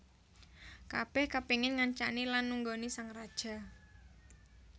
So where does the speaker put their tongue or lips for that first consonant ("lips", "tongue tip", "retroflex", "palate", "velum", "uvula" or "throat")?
velum